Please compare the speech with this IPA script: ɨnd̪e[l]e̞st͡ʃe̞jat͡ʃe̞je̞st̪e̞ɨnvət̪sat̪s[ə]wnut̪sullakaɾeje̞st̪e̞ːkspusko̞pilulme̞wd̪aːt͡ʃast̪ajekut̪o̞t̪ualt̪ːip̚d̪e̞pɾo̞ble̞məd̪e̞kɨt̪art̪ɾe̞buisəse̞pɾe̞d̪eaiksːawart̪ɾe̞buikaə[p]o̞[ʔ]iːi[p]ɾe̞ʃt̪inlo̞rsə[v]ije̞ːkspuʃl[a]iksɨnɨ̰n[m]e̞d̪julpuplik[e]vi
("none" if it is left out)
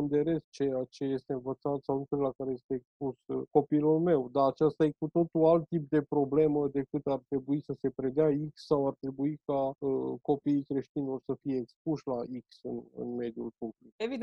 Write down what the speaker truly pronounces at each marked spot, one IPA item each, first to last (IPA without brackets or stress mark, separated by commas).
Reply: ɾ, a, k, p, k, f, a, m, e